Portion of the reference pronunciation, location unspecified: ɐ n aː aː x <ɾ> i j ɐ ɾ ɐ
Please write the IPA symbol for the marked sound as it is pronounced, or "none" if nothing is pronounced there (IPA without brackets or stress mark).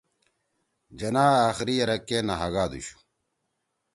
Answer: ɾ